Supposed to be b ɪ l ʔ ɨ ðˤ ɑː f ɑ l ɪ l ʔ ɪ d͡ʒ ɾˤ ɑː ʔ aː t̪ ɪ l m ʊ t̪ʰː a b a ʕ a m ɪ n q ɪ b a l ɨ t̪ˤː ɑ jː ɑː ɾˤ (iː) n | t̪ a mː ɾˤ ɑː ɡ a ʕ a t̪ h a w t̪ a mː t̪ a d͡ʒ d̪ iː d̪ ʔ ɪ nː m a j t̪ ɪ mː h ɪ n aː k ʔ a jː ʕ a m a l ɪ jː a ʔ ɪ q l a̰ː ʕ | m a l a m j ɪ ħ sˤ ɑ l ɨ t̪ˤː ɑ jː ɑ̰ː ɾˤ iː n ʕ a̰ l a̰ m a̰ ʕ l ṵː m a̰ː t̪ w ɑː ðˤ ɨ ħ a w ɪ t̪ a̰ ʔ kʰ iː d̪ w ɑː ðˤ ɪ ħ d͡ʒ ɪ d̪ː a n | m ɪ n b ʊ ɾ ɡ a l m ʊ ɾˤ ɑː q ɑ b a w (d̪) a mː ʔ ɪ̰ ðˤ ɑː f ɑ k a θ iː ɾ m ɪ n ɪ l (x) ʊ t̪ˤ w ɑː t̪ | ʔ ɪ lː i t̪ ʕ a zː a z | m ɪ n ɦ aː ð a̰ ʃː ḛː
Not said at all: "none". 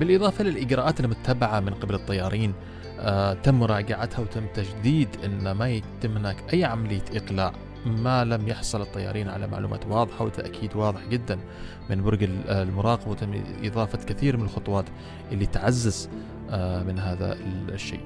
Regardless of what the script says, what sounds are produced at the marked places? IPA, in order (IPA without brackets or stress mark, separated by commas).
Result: iː, t̪, x